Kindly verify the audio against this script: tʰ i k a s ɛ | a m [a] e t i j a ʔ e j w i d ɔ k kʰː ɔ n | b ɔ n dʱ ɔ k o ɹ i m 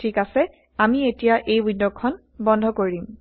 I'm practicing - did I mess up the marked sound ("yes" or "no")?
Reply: yes